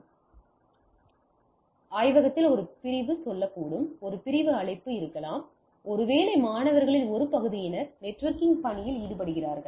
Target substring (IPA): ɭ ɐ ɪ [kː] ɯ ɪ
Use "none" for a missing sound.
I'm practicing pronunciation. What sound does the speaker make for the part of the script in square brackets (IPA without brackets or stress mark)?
pː